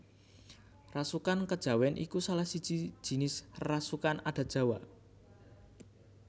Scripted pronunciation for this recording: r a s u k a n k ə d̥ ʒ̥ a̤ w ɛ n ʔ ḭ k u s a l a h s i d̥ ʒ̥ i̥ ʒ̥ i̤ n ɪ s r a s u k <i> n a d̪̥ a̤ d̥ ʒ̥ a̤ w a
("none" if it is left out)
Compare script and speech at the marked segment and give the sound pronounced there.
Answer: a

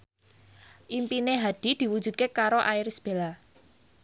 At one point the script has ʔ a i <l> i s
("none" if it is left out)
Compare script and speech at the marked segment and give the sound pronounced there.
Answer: ɾ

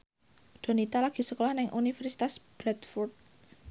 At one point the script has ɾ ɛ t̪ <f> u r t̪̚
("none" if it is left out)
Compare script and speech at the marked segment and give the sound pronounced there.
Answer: f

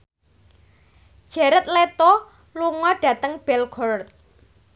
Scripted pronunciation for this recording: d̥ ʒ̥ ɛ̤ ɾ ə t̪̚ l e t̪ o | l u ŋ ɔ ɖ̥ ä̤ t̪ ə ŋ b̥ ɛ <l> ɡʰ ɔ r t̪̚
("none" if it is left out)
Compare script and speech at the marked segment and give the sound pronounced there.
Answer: l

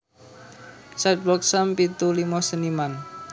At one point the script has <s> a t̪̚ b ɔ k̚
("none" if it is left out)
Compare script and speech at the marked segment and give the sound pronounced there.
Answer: s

